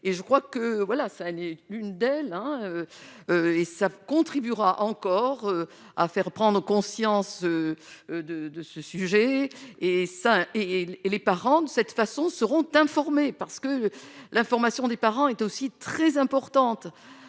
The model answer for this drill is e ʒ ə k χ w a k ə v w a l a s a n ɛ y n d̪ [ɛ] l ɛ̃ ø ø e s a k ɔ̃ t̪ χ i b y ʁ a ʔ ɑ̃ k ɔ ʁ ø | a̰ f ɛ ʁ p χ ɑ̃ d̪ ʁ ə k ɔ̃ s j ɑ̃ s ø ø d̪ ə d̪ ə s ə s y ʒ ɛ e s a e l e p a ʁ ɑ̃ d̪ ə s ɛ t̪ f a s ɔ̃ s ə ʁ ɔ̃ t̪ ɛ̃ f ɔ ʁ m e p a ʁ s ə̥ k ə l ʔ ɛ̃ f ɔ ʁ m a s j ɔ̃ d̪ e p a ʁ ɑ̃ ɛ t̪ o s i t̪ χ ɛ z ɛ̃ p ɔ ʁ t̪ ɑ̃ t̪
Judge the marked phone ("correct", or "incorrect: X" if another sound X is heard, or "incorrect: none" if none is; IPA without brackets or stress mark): correct